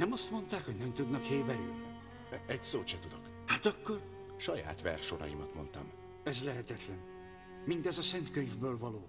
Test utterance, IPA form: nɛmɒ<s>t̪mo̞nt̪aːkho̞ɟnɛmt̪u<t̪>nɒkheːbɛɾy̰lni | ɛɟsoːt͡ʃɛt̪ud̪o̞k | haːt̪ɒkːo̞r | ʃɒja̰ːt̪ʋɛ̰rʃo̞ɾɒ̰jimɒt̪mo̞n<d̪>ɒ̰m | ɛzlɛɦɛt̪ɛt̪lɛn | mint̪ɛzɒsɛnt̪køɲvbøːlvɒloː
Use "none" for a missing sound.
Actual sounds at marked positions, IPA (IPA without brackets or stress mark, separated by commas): s, d̪, t̪